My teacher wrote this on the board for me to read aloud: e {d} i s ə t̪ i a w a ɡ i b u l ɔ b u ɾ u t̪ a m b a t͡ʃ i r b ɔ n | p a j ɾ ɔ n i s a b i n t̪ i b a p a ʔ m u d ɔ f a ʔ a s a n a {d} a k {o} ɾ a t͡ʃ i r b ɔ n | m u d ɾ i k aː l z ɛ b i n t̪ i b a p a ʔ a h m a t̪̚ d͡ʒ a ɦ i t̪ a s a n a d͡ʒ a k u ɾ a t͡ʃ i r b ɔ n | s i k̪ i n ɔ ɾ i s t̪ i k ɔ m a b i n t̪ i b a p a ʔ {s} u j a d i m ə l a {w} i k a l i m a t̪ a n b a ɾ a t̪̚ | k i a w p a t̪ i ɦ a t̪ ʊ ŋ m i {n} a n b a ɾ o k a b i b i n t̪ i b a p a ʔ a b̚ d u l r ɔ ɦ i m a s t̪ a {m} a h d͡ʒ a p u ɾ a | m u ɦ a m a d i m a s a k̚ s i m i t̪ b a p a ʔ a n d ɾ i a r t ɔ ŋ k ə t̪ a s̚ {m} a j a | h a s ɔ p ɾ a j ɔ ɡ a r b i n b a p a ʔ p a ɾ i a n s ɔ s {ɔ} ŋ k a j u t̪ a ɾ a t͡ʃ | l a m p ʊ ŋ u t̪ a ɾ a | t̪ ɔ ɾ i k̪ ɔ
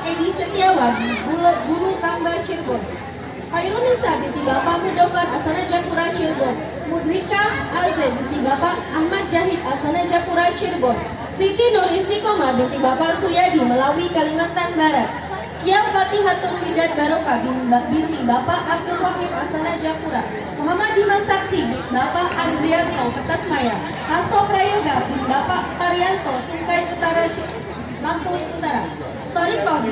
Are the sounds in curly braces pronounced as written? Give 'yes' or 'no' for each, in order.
yes, no, no, yes, yes, no, no, yes, no

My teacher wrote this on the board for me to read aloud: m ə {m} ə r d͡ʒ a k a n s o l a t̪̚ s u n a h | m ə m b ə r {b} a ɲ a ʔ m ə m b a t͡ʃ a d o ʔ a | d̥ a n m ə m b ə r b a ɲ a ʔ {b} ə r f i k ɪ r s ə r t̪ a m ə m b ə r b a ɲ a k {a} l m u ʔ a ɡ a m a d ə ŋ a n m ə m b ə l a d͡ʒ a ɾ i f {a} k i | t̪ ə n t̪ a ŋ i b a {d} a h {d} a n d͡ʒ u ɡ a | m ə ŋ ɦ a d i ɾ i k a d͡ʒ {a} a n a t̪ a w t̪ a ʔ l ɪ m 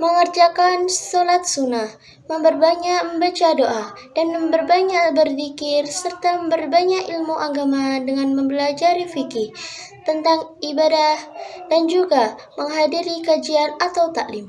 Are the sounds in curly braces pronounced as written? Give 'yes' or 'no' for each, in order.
no, yes, yes, no, no, yes, yes, no

